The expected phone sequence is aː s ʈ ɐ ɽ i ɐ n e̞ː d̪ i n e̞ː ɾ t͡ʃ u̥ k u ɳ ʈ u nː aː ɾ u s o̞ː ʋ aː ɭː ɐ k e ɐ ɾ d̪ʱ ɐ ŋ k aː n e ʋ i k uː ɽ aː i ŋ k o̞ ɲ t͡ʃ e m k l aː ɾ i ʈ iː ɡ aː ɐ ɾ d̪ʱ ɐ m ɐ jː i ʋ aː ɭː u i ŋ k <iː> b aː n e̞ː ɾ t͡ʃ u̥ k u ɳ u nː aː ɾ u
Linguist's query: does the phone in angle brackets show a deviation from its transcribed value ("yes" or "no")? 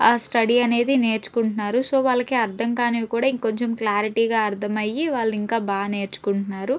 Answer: yes